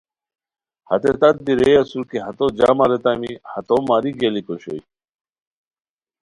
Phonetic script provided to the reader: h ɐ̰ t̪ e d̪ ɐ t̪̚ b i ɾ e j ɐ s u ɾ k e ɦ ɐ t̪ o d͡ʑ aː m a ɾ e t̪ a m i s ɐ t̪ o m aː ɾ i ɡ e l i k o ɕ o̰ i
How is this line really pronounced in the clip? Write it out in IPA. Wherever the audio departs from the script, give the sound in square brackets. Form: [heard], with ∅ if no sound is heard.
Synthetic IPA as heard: h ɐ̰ t̪ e [t̪] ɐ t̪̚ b i ɾ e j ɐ s u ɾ k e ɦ ɐ t̪ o d͡ʑ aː m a ɾ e t̪ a m i [h] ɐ t̪ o m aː ɾ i ɡ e l i k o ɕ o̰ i